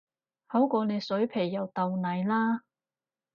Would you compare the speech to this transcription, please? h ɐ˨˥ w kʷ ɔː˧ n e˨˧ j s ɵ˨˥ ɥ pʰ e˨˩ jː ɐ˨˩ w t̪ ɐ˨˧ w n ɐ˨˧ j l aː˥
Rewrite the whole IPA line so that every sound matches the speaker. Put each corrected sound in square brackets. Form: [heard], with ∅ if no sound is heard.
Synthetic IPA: h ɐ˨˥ w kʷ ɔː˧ n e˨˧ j s ɵ˨˥ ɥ pʰ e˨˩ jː ɐ˨˩ w t̪ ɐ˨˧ w n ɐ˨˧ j l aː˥